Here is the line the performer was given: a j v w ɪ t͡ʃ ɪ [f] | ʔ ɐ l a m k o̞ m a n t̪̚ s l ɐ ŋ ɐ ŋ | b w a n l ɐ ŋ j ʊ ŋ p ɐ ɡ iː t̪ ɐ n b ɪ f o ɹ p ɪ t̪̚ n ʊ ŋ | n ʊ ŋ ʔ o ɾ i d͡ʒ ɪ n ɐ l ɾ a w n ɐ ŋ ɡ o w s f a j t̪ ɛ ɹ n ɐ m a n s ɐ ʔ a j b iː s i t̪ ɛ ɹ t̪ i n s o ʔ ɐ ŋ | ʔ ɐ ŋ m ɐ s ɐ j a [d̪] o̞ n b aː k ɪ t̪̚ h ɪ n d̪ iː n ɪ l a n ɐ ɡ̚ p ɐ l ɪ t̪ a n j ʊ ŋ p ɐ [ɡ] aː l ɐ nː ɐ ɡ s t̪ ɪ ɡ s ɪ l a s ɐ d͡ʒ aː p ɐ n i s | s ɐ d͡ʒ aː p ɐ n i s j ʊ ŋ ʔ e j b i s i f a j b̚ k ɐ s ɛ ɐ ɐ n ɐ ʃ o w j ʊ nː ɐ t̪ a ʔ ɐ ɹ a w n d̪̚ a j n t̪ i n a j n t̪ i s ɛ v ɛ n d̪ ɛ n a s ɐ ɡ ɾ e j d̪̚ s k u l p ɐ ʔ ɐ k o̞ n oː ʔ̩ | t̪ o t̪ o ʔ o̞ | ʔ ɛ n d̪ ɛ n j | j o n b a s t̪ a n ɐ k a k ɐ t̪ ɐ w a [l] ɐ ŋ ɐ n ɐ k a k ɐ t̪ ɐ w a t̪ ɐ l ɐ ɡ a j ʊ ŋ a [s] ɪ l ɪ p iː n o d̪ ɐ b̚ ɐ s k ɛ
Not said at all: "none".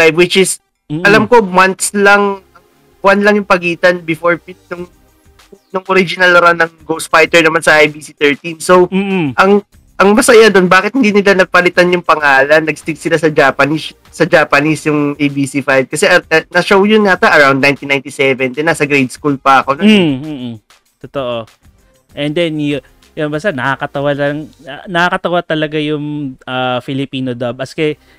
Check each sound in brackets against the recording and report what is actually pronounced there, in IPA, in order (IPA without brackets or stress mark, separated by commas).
s, d̪, ŋ, l, f